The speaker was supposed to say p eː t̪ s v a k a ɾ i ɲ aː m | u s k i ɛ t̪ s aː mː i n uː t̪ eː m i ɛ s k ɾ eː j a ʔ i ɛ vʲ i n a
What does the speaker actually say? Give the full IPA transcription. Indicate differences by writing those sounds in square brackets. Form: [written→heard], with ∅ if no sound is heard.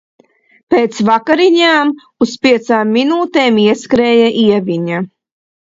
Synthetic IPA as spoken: p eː t̪ s v a k a ɾ i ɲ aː m | u s [k→p] i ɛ t̪ s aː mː i n uː t̪ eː m i ɛ s k ɾ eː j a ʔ i ɛ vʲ i [n→ɲ] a